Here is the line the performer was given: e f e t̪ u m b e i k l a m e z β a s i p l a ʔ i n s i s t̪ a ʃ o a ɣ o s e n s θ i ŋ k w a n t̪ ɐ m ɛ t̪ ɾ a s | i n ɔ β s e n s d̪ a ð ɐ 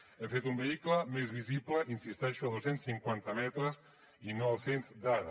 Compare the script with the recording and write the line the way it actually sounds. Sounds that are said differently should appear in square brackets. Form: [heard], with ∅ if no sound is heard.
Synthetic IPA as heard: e f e t̪ u m b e i k l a m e z β [i] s i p l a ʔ i n s i s t̪ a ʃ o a [ð] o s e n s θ i ŋ k w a n t̪ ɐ m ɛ t̪ ɾ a s | i n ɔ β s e n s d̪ a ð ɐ